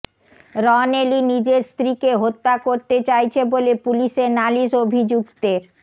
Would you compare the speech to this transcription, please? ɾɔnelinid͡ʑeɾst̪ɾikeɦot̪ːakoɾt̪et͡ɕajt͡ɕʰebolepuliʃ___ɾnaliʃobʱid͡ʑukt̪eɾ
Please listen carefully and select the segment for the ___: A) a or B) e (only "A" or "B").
B